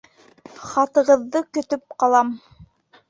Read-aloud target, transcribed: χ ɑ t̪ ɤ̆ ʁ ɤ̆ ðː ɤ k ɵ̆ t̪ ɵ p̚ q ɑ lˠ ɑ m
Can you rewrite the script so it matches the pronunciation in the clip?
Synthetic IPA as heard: χ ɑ t̪ ɤ̆ ʁ ɤ̆ ðː ɤ k ɵ̆ t̪ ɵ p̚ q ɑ lˠ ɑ m